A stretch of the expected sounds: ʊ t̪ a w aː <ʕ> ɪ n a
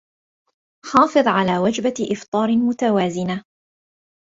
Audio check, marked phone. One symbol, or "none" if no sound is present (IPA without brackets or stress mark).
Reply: z